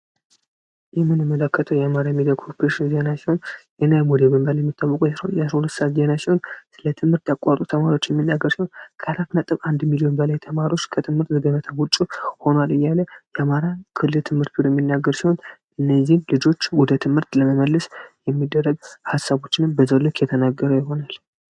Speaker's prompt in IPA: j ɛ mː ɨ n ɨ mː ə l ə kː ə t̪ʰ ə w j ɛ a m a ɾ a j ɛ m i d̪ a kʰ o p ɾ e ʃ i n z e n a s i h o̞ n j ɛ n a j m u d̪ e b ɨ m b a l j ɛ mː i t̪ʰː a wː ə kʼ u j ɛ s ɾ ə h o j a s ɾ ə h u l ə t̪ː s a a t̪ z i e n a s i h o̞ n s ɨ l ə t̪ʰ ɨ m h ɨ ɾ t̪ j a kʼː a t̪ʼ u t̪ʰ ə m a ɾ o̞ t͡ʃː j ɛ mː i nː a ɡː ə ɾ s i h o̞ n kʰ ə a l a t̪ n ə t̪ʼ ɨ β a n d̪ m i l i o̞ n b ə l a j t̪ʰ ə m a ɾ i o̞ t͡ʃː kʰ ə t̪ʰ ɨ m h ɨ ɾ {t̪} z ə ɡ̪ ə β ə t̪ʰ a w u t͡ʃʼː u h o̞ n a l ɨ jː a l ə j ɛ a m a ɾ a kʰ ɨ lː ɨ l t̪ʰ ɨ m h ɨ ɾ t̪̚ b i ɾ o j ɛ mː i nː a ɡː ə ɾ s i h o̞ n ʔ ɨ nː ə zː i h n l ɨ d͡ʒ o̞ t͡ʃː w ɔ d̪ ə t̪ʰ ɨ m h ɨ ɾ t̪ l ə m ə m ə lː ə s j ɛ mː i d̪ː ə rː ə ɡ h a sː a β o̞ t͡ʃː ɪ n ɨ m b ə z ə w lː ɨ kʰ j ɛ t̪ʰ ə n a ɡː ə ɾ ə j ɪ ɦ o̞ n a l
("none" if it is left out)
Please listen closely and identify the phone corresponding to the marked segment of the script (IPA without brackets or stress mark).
t̪